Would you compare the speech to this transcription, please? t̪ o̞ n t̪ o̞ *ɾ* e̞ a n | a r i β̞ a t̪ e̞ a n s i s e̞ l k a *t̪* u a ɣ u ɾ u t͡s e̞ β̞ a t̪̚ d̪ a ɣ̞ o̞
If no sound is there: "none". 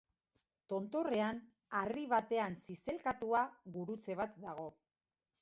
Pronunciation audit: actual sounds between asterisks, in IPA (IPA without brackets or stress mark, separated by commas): r, t̪